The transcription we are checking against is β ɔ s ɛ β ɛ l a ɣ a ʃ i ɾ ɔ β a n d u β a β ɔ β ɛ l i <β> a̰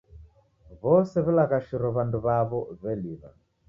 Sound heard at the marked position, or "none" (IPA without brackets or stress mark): β